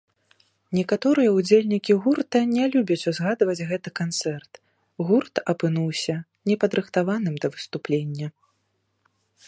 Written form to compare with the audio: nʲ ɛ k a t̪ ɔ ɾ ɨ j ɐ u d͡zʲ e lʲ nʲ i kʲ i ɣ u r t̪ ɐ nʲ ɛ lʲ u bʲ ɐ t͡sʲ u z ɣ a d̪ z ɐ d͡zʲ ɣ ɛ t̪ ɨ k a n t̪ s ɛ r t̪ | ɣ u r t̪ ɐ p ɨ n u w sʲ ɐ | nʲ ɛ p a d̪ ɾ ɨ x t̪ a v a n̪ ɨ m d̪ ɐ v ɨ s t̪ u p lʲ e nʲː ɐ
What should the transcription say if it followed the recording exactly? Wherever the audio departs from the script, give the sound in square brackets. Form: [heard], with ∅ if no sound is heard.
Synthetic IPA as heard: nʲ ɛ k a t̪ ɔ ɾ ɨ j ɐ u d͡zʲ e lʲ nʲ i kʲ i ɣ u r t̪ ɐ nʲ ɛ lʲ u bʲ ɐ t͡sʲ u z ɣ a d̪ [v] ɐ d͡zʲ ɣ ɛ t̪ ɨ k a n t̪ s ɛ r t̪ | ɣ u r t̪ ɐ p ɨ n u w sʲ ɐ | nʲ ɛ p [ɐ] d̪ ɾ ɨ x t̪ a v a n̪ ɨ m d̪ ɐ v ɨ s t̪ u p lʲ e nʲː ɐ